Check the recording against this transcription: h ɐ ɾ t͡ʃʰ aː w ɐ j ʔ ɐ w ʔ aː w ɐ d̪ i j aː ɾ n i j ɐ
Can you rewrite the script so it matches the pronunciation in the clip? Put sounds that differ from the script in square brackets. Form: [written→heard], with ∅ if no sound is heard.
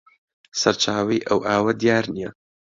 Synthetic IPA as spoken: [h→s] ɐ ɾ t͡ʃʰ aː w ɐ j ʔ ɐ w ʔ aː w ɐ d̪ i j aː ɾ n i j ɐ